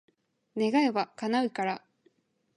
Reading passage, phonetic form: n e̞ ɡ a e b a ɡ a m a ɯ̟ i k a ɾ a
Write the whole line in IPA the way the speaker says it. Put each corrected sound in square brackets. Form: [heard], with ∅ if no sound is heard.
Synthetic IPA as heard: n e̞ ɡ a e [β] a [k] a [n] a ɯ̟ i k a ɾ a